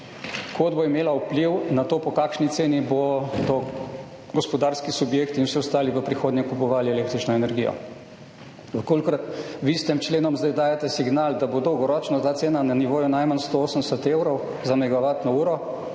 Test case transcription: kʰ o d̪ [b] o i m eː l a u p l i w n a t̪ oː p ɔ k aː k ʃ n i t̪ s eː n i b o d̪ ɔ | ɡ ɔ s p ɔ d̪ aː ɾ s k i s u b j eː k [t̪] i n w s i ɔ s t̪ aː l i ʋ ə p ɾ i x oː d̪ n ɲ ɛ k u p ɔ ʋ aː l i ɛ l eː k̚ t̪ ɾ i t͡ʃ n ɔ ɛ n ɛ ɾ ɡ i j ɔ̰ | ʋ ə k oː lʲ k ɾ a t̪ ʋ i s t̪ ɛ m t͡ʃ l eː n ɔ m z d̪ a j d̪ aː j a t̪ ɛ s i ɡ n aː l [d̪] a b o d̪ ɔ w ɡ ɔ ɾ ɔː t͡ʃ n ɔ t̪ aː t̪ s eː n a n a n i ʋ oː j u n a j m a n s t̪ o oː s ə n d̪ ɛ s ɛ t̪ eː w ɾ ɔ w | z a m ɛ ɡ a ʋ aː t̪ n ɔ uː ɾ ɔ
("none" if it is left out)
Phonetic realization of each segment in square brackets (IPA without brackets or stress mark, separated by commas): b, t̪, d̪